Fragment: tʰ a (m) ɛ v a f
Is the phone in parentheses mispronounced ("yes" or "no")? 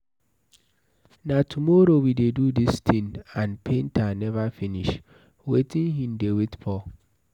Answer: yes